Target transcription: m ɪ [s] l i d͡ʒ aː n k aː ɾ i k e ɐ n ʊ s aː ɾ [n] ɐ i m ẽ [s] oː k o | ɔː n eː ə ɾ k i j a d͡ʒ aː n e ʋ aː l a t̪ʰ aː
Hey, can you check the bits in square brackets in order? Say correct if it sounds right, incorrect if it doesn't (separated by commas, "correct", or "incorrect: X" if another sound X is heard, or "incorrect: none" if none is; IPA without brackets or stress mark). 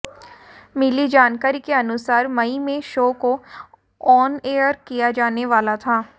incorrect: none, incorrect: m, incorrect: ʃ